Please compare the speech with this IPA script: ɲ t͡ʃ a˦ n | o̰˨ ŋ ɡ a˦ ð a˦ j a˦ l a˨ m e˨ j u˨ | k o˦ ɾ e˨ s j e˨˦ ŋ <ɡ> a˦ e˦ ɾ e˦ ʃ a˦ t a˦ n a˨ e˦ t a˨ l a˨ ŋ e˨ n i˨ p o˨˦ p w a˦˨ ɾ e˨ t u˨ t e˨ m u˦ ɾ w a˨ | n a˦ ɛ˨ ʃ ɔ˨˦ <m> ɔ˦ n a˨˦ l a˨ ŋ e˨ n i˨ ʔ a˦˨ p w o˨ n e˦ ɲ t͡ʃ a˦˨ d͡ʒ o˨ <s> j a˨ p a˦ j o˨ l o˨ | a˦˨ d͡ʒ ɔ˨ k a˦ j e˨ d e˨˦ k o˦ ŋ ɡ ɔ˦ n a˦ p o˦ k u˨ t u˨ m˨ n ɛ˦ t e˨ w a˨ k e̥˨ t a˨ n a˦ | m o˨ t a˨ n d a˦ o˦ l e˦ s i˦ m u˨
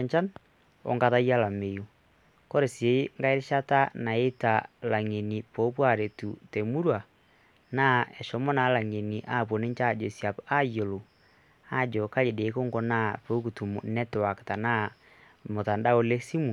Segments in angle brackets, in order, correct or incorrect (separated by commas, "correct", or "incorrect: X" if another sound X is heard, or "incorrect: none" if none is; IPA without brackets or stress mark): correct, correct, correct